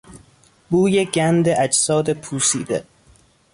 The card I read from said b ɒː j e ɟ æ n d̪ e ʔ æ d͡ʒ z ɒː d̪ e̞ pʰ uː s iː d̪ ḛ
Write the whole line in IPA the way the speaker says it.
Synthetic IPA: b uː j e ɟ æ n d̪ e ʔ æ d͡ʒ s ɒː d̪ e̞ pʰ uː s iː d̪ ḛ